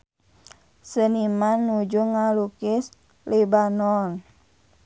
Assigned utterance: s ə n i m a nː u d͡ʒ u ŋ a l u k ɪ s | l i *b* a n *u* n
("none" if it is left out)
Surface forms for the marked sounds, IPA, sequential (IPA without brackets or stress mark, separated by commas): b, ɔ